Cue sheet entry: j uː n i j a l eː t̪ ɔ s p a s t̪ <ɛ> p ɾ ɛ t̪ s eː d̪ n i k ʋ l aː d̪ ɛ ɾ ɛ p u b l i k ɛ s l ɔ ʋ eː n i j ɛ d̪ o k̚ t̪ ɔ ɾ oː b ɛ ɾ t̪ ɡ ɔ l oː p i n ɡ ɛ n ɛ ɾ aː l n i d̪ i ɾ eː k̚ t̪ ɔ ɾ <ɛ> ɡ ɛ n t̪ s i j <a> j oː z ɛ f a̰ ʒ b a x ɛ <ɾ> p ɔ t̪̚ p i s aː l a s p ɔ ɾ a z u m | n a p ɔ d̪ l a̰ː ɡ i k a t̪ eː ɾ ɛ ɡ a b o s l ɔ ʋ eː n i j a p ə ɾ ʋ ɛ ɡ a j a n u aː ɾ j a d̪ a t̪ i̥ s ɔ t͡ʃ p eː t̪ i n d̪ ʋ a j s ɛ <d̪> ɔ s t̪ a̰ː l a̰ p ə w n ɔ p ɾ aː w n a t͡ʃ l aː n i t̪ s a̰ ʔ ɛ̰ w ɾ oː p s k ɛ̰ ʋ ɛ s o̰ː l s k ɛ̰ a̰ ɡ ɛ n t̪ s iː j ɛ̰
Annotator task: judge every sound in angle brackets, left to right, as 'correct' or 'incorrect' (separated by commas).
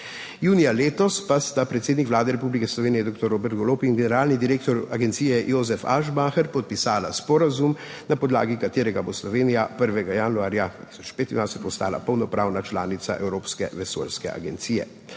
incorrect, incorrect, incorrect, correct, incorrect